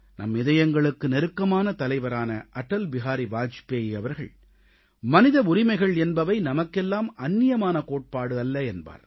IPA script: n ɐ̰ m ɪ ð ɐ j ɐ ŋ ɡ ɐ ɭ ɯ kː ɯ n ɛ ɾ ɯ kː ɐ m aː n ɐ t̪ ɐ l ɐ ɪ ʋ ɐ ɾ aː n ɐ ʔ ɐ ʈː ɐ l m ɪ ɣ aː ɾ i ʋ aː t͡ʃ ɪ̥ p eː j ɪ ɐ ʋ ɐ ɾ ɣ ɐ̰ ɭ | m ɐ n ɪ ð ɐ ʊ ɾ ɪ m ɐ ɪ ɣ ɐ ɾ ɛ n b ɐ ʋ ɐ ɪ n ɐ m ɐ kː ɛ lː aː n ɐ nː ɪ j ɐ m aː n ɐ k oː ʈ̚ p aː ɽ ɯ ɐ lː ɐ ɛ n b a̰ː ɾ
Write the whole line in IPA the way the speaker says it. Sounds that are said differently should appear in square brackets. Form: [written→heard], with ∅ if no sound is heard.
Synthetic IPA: n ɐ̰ m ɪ ð ɐ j ɐ ŋ ɡ ɐ ɭ ɯ kː ɯ n ɛ ɾ ɯ kː ɐ m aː n ɐ t̪ ɐ l ɐ ɪ ʋ ɐ ɾ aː n ɐ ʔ ɐ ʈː ɐ l [m→b] ɪ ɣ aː ɾ i ʋ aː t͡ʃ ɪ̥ p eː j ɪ ɐ ʋ ɐ ɾ ɣ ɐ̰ ɭ | m ɐ n ɪ ð ɐ ʊ ɾ ɪ m ɐ ɪ ɣ ɐ [ɾ→ɭ] ɛ n b ɐ ʋ ɐ ɪ n ɐ m ɐ kː ɛ lː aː [n→m] ɐ nː ɪ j ɐ m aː n ɐ k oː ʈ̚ p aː ɽ ɯ ɐ lː ɐ ɛ n b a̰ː ɾ

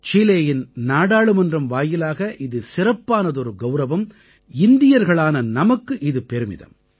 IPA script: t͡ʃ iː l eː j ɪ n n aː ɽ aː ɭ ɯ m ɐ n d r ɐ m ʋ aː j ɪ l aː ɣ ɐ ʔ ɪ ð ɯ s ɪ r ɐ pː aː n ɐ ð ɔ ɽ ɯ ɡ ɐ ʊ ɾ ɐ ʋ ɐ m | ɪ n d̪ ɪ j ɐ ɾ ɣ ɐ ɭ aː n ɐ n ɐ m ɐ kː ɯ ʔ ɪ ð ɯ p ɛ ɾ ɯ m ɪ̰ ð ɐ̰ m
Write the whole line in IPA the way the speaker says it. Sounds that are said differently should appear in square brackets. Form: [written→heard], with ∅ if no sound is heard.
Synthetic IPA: t͡ʃ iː l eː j ɪ n n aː ɽ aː ɭ ɯ m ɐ n d r ɐ m ʋ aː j ɪ l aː ɣ ɐ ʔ ɪ ð ɯ s ɪ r ɐ pː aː n ɐ ð ɔ [ɽ→ɾ] ɯ ɡ ɐ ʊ ɾ ɐ ʋ ɐ m | ɪ n d̪ ɪ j ɐ ɾ ɣ ɐ ɭ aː n ɐ n ɐ m ɐ kː ɯ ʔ ɪ ð ɯ p ɛ ɾ ɯ m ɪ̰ ð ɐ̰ m

